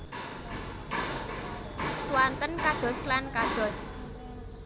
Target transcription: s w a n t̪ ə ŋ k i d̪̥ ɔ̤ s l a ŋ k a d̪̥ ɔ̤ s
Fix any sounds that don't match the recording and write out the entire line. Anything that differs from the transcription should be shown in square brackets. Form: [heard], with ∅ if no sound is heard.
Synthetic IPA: s w a n t̪ ə [n] k [a] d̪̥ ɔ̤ s l a [n] k a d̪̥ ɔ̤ s